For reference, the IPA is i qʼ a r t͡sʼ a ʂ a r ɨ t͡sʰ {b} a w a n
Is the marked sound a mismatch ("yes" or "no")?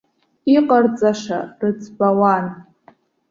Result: no